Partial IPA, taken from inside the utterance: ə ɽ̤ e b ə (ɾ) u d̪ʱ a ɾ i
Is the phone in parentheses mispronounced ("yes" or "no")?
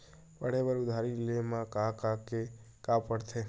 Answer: no